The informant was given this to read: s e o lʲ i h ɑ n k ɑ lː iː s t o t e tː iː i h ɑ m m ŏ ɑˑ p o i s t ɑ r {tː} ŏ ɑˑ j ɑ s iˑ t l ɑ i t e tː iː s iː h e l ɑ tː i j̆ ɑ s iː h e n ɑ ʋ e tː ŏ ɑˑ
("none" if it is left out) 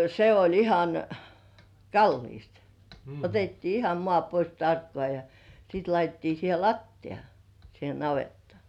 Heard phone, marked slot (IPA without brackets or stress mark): kː